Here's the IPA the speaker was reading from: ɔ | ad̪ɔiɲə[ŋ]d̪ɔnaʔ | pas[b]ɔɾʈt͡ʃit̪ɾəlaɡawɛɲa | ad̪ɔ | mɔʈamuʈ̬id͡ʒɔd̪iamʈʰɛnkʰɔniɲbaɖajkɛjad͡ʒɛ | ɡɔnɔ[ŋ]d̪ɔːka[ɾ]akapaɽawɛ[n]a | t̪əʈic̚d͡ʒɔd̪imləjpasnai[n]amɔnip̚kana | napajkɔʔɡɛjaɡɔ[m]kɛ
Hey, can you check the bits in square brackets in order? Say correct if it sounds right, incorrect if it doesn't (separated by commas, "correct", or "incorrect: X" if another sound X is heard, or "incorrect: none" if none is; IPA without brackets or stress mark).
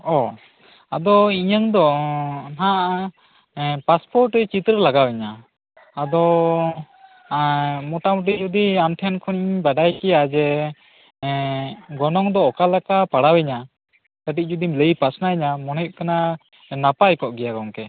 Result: correct, incorrect: p, correct, incorrect: l, incorrect: ɲ, incorrect: ɲ, incorrect: ŋ